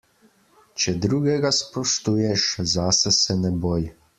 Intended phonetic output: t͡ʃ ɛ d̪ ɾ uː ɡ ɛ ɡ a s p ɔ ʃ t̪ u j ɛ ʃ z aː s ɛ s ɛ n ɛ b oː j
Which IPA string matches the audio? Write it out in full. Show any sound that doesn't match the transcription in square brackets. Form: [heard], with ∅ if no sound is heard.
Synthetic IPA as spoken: t͡ʃ ɛ d̪ ɾ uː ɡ ɛ ɡ a s p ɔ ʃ t̪ u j ɛ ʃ z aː s ɛ s ɛ n ɛ b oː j